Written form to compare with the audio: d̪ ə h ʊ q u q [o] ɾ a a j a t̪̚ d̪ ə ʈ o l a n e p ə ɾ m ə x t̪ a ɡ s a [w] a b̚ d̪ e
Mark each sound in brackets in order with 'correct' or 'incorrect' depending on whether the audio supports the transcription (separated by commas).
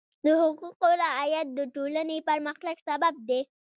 correct, incorrect